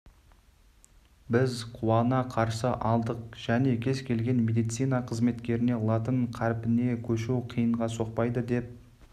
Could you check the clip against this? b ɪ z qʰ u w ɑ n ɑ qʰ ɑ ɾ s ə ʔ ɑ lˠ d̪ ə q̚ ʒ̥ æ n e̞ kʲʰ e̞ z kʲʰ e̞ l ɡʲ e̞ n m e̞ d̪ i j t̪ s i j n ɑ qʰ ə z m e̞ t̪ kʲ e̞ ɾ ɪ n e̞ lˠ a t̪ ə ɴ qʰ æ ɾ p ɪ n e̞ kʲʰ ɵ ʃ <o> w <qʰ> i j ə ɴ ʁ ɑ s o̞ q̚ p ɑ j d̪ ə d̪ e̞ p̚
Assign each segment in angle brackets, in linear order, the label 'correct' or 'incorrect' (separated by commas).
incorrect, correct